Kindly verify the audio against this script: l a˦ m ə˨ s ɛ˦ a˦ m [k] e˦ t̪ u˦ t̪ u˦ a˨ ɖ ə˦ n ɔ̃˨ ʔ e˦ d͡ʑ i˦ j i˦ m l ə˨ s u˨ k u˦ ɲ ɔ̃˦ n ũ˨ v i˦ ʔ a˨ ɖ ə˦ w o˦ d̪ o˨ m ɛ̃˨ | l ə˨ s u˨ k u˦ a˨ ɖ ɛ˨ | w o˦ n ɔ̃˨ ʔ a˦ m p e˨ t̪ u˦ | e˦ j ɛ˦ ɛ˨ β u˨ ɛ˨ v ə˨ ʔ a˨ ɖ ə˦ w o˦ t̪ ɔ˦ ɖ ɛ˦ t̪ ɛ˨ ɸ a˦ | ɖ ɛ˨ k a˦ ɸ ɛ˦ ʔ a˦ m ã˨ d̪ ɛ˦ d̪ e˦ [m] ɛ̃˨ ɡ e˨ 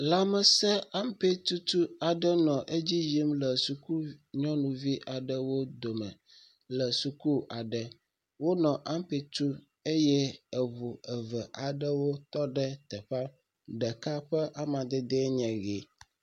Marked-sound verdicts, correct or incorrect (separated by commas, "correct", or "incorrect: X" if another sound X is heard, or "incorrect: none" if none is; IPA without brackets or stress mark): incorrect: p, incorrect: ɲ